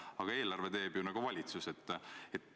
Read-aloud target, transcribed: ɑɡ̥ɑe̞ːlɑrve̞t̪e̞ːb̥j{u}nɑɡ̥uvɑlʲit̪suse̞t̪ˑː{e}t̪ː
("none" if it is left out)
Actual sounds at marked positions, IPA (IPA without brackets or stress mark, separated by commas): u, e